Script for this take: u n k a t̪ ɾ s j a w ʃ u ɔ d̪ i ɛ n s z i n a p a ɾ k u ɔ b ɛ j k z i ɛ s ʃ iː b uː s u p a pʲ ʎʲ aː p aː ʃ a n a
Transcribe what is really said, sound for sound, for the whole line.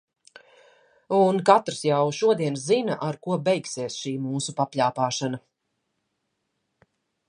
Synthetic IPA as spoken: u n k a t̪ ɾ s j a w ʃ u ɔ d̪ i ɛ n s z i n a ʔ a ɾ k u ɔ b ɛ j k s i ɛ s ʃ iː m uː s u p a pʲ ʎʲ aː p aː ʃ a n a